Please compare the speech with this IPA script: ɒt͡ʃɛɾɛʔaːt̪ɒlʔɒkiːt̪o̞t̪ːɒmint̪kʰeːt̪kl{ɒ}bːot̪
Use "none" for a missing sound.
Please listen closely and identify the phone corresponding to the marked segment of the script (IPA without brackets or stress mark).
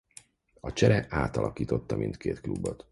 u